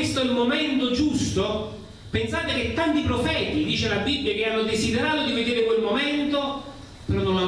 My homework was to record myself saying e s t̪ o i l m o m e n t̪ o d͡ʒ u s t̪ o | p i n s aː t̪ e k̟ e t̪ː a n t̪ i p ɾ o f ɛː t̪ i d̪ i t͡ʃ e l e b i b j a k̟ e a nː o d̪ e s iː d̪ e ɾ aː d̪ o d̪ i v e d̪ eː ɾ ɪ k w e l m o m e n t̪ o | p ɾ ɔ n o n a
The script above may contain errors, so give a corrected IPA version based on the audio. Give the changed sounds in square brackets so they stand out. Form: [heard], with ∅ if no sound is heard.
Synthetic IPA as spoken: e s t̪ o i l m o m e n t̪ o d͡ʒ u s t̪ o | p [e] n s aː t̪ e k̟ e t̪ː a n t̪ i p ɾ o f ɛː t̪ i d̪ [iː] t͡ʃ e l [a] b i [bː] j a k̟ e a nː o d̪ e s [i] d̪ e ɾ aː [t̪] o d̪ i v e d̪ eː ɾ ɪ k w e l m o m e n t̪ o | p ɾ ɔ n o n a